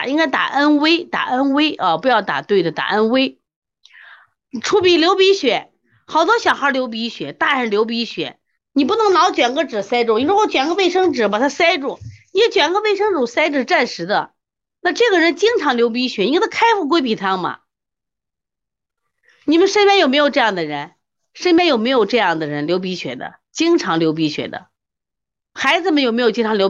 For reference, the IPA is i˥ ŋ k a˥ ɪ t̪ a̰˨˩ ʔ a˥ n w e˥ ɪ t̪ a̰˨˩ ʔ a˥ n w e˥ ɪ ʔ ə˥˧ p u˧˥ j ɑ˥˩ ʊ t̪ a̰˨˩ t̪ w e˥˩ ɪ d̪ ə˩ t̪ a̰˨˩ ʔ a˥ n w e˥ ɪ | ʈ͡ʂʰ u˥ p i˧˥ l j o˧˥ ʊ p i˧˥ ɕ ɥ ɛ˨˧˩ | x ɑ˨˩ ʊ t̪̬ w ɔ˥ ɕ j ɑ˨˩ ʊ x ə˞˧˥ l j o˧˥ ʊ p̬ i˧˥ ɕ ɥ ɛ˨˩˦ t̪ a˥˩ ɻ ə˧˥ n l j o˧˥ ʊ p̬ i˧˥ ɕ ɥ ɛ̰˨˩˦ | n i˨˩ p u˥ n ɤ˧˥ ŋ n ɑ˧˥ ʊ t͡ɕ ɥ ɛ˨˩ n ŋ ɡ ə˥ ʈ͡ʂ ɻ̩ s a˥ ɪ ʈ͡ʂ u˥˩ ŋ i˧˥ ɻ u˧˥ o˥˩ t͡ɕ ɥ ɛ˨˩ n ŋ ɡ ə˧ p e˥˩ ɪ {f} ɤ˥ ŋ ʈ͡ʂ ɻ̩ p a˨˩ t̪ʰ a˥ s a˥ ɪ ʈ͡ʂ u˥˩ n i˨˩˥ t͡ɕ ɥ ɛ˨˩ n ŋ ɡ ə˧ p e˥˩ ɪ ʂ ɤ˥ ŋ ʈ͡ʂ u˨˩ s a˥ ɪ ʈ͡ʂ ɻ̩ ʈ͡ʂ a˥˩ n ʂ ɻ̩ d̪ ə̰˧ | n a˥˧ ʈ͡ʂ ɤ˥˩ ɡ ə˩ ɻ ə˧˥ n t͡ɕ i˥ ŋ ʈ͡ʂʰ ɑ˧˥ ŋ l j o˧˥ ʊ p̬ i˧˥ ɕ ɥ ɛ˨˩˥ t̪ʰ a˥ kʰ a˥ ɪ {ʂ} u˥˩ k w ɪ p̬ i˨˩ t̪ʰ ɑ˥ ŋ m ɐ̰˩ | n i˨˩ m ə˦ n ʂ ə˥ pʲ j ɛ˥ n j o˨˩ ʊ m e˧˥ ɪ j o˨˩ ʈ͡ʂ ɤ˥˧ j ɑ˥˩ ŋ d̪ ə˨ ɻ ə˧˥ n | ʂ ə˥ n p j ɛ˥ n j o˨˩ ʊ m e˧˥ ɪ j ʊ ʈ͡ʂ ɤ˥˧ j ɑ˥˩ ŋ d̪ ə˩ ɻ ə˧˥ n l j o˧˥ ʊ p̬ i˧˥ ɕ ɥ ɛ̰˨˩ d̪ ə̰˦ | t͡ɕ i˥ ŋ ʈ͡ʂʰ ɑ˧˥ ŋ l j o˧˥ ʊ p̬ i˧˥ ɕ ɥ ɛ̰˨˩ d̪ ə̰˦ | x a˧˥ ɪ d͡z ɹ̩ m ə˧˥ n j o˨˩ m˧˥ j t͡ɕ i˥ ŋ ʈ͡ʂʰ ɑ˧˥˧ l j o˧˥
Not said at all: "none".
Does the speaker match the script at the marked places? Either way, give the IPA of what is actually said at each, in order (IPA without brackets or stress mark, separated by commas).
ʂ, f